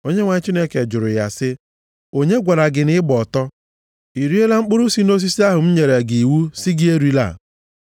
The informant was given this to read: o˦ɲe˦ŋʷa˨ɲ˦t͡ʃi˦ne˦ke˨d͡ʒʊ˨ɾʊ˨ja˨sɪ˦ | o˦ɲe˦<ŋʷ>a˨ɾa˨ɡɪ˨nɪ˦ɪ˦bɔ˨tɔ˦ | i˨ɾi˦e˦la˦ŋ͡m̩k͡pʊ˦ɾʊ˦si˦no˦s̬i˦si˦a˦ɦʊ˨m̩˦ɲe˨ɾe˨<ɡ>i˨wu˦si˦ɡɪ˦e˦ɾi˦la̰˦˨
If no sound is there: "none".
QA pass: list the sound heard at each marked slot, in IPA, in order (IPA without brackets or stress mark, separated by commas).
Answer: ɡʷ, ɡ